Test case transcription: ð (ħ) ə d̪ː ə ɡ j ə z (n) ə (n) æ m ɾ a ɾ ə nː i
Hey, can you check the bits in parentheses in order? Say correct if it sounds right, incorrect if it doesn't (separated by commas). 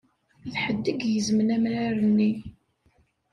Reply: correct, incorrect, correct